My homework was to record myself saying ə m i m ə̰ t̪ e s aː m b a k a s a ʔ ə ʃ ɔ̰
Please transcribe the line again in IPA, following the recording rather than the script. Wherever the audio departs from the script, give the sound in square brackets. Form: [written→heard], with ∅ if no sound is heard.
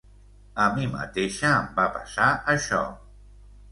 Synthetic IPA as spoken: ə m i m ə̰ t̪ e [s→ʃ] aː m b a [k→p] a s a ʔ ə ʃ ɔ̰